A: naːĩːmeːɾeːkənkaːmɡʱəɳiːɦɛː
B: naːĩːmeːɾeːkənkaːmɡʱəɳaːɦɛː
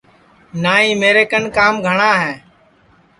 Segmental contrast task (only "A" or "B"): B